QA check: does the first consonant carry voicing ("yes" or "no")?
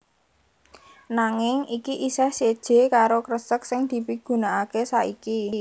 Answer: yes